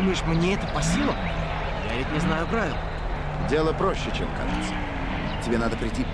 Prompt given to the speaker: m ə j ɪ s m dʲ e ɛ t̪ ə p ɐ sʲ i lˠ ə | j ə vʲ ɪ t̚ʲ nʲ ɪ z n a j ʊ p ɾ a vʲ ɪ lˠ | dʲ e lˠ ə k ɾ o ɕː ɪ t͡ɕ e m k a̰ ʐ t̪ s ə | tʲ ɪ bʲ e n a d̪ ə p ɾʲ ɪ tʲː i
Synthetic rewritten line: m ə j ɪ ʂ m nʲ e ɛ t̪ ə p ɐ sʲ i lˠ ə | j a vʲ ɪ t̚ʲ nʲ ɪ z n a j ʊ p ɾ a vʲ ɪ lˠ | dʲ e lˠ ə p ɾ o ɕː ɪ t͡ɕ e m k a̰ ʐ t̪ s ə | tʲ ɪ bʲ e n a d̪ ə p ɾʲ ɪ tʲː i